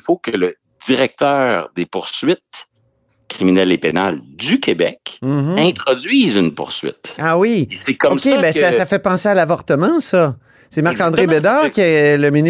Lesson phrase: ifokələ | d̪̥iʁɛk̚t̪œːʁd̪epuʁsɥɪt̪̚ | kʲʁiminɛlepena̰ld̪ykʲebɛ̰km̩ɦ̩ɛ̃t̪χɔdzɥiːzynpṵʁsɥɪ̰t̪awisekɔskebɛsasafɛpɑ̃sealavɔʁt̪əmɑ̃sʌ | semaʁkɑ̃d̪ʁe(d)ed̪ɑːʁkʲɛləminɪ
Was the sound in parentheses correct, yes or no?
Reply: no